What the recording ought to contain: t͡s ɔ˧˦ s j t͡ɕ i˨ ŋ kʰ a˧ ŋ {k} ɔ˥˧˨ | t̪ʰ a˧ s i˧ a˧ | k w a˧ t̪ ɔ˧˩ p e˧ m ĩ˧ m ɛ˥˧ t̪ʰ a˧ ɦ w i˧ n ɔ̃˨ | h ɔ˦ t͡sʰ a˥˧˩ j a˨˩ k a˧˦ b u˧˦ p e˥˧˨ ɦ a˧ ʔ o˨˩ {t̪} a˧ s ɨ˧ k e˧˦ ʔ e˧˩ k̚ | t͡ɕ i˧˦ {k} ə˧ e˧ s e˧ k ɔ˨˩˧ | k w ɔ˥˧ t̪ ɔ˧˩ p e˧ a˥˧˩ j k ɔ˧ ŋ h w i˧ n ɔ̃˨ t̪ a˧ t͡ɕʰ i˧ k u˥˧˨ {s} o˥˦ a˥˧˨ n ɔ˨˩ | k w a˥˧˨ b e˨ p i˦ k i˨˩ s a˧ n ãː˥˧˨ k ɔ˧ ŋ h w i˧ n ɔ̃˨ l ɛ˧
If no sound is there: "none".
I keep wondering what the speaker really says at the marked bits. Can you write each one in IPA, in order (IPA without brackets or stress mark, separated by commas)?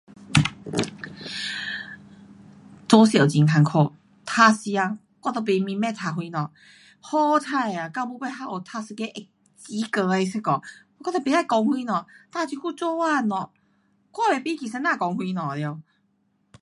kʰ, t̪ʰ, k, t͡s